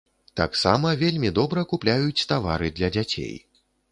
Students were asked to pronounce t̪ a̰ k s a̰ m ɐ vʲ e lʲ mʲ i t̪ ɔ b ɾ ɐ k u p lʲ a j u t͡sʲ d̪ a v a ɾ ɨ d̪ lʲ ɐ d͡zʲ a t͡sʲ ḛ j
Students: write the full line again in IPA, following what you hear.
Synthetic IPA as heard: t̪ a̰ k s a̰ m ɐ vʲ e lʲ mʲ i d̪ ɔ b ɾ ɐ k u p lʲ a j u t͡sʲ t̪ a v a ɾ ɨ d̪ lʲ ɐ d͡zʲ a t͡sʲ ḛ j